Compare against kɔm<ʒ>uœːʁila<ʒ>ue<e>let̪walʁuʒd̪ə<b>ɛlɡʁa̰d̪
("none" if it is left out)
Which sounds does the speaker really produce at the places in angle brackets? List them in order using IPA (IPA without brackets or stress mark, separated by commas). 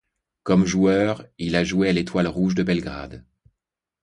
ʒ, ʒ, a, b